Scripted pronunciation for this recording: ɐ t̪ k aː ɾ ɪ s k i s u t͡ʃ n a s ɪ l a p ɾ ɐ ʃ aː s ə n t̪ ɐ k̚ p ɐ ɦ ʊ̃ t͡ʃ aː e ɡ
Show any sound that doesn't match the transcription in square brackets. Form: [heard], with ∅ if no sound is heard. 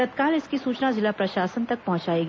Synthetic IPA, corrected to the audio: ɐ t̪ k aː [l] ɪ s k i s [uː] t͡ʃ n a [z] ɪ l a p ɾ ɐ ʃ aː s ə n t̪ ɐ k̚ p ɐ ɦ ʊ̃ t͡ʃ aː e ɡ